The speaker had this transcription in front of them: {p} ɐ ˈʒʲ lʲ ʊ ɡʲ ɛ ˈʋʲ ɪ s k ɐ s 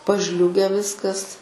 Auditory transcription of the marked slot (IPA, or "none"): p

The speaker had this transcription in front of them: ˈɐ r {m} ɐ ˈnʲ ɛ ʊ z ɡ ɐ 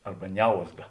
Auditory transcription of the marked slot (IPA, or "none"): b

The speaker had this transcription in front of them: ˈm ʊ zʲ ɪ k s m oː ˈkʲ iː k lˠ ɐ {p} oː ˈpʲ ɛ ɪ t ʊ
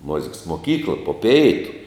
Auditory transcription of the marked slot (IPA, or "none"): p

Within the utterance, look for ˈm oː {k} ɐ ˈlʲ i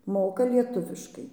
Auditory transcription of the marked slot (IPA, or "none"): k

